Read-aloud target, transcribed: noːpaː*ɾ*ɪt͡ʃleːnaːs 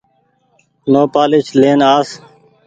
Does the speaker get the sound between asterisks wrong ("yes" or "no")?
yes